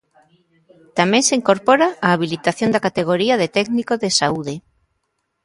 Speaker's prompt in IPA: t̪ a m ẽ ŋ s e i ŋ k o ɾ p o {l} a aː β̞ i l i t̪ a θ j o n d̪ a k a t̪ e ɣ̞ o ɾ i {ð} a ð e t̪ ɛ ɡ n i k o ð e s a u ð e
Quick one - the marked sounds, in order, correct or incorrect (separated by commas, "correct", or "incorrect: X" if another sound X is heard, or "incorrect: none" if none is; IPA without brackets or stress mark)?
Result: incorrect: ɾ, incorrect: none